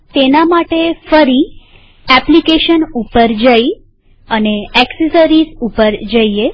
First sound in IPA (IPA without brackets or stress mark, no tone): t̪